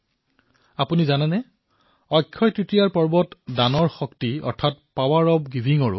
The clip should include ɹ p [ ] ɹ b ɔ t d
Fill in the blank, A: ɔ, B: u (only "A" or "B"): A